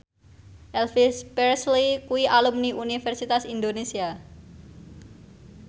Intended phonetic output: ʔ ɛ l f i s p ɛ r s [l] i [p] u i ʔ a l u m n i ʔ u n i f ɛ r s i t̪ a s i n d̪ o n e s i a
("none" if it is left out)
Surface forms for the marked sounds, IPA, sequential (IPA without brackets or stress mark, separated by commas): l, k